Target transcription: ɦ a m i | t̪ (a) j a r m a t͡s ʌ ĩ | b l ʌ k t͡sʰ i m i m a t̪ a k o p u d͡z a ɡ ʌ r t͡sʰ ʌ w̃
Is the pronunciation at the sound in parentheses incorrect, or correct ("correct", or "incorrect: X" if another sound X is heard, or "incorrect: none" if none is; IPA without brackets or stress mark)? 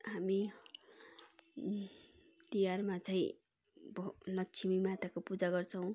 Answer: incorrect: i